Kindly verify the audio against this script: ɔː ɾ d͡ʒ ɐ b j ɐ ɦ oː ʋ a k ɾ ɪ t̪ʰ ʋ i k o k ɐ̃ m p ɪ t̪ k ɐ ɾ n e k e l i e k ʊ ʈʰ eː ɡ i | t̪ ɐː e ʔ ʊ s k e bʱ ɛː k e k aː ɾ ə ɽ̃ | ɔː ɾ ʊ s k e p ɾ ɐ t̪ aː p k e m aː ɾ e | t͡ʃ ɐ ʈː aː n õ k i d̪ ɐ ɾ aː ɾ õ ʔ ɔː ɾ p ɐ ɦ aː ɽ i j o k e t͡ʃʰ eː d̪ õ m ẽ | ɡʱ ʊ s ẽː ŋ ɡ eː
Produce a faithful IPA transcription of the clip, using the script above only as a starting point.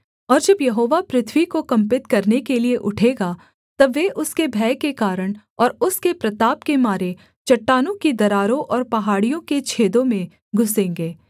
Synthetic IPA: ɔː ɾ d͡ʒ ɐ b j ɐ ɦ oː ʋ a p ɾ ɪ t̪ʰ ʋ i k o k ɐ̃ m p ɪ t̪ k ɐ ɾ n e k e l i e ʔ ʊ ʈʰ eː ɡ a | t̪ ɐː e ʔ ʊ s k e bʱ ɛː k e k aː ɾ ə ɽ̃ | ɔː ɾ ʊ s k e p ɾ ɐ t̪ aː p k e m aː ɾ e | t͡ʃ ɐ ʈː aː n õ k i d̪ ɐ ɾ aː ɾ õ ʔ ɔː ɾ p ɐ ɦ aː ɽ i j õ k e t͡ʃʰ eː d̪ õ m ẽ | ɡʱ ʊ s ẽː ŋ ɡ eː